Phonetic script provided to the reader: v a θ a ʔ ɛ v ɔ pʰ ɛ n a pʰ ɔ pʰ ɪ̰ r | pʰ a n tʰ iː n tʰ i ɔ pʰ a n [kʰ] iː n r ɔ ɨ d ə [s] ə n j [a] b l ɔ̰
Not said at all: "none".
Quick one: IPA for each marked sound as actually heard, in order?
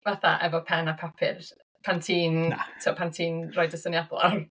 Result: tʰ, s, a

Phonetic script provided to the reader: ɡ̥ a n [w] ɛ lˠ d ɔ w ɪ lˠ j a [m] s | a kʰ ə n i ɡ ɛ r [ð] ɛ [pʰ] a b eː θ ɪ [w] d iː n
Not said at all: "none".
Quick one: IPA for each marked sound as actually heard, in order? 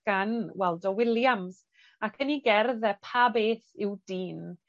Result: w, m, ð, pʰ, w

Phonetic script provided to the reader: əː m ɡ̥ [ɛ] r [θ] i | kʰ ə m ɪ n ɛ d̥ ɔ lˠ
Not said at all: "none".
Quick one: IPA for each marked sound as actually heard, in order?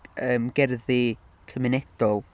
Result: ɛ, ð

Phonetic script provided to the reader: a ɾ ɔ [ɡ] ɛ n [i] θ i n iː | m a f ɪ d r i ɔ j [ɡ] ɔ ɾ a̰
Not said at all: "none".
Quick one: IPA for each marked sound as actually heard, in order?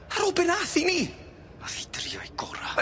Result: b, a, ɡ

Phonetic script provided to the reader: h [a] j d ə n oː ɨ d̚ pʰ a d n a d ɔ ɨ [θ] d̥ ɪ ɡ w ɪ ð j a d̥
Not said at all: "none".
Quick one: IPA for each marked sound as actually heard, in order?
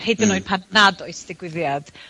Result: e, s

